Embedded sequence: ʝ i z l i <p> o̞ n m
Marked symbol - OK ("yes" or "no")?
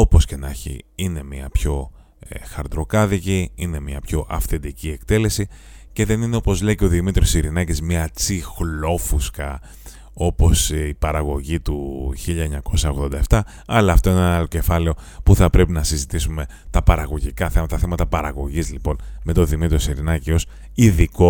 yes